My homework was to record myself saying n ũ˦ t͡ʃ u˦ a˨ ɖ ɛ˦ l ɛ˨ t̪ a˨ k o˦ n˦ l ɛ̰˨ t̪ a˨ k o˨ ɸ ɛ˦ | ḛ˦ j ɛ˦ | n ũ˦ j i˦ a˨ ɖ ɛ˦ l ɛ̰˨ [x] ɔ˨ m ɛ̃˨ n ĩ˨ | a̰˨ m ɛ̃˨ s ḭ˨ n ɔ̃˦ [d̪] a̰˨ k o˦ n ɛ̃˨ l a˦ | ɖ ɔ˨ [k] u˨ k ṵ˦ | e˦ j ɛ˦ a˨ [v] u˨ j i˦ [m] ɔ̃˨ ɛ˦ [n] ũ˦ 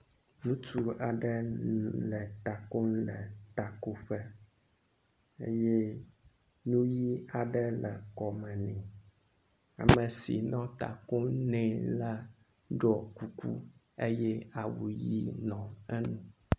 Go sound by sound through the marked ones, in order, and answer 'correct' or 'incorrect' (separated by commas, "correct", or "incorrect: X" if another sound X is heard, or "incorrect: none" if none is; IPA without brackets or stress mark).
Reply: incorrect: k, incorrect: t̪, correct, incorrect: w, incorrect: n, correct